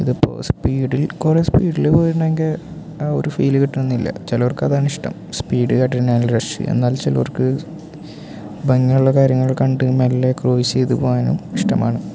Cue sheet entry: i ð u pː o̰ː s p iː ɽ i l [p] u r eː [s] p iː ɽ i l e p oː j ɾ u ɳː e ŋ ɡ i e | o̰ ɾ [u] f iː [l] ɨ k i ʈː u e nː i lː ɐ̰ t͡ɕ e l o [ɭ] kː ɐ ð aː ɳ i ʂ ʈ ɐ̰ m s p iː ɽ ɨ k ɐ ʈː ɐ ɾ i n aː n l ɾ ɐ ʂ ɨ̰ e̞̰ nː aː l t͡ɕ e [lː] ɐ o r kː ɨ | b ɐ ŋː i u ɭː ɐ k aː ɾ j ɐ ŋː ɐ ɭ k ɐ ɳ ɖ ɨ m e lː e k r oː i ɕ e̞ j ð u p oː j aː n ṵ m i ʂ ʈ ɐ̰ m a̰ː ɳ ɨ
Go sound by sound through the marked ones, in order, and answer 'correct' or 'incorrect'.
incorrect: k, correct, correct, correct, incorrect: r, incorrect: l

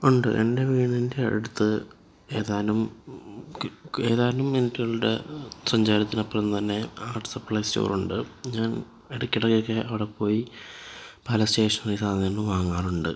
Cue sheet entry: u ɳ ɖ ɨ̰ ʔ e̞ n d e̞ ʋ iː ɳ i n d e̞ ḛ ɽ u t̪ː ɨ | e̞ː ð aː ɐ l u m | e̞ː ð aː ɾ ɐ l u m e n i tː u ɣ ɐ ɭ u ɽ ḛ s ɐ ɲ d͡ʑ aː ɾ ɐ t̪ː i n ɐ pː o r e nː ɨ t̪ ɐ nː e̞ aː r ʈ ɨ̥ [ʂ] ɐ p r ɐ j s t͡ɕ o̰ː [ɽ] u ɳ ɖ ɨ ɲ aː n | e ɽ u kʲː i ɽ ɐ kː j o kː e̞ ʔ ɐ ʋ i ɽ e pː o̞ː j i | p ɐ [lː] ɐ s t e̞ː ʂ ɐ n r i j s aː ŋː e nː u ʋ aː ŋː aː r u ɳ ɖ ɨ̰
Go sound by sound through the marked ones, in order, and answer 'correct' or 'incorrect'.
incorrect: s, incorrect: r, incorrect: l

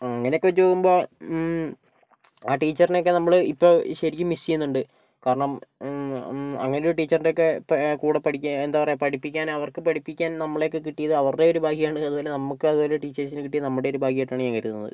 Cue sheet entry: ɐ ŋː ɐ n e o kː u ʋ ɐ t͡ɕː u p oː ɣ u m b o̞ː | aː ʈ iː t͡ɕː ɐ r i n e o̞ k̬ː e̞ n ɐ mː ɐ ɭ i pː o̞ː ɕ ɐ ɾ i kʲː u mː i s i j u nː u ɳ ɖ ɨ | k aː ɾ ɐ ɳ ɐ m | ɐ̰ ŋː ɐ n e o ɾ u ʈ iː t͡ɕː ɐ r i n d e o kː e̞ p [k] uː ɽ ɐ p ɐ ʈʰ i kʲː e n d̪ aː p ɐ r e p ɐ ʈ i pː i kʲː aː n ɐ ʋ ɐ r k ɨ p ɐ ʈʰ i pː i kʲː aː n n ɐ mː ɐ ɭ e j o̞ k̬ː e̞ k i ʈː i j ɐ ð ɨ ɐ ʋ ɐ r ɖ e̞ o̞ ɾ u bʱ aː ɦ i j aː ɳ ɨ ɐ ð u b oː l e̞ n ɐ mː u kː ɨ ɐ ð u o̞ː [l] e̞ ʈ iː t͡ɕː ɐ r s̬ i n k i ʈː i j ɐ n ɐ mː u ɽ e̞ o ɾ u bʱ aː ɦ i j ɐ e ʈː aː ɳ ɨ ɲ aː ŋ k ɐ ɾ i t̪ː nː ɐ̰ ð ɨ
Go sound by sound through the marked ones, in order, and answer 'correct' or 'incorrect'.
correct, correct

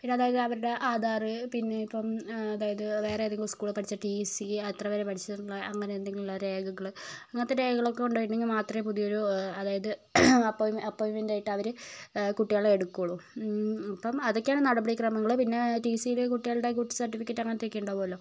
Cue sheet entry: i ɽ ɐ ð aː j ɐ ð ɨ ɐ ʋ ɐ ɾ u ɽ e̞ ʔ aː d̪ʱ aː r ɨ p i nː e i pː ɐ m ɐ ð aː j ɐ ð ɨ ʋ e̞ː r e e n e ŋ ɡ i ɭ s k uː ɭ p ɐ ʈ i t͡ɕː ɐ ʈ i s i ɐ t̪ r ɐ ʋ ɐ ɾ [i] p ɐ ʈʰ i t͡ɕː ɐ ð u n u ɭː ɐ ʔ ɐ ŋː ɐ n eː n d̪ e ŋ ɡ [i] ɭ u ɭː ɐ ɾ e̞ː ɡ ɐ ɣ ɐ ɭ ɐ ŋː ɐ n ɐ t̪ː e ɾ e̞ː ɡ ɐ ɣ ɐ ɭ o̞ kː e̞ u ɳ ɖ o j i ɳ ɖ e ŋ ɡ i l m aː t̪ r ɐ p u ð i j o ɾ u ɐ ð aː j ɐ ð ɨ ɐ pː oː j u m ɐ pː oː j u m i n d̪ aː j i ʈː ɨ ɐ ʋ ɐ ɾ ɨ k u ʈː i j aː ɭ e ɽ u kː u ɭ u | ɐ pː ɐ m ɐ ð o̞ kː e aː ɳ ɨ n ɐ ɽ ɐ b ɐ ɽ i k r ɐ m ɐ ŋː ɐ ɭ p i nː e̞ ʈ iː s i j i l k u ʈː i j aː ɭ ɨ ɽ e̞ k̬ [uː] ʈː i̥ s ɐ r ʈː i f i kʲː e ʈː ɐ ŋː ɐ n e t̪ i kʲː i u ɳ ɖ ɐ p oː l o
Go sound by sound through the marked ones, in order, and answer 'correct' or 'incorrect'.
incorrect: e, correct, incorrect: u

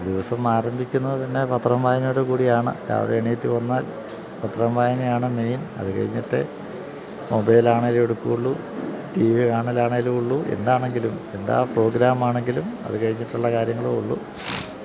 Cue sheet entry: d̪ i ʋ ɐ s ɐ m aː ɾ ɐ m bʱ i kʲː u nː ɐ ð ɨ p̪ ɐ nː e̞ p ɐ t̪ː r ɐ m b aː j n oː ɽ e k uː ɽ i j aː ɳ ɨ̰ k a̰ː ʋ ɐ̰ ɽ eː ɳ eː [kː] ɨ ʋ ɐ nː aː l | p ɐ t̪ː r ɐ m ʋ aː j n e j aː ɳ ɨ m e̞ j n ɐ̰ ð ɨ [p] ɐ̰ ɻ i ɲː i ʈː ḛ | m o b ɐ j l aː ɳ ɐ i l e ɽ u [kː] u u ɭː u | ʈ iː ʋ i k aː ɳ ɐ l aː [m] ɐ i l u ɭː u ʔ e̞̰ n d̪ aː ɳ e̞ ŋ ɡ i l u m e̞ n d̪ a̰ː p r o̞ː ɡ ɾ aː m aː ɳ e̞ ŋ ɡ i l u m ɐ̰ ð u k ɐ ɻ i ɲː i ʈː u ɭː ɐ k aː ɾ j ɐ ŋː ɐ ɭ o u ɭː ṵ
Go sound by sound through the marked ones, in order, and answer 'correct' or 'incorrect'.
incorrect: tː, incorrect: k, correct, incorrect: ɳ

